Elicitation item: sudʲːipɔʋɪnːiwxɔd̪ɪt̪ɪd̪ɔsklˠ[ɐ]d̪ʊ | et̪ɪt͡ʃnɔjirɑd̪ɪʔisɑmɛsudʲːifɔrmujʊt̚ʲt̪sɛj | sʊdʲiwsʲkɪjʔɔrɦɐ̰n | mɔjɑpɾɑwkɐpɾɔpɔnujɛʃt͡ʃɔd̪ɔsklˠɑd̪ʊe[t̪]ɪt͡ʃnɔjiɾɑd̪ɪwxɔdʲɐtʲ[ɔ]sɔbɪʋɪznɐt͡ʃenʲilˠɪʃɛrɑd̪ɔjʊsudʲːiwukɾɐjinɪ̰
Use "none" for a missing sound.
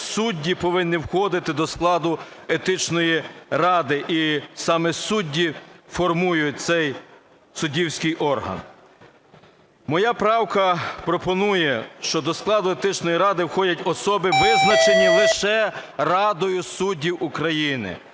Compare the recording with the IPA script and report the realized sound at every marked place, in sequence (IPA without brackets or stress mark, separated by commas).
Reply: ɑ, t̪, ɔ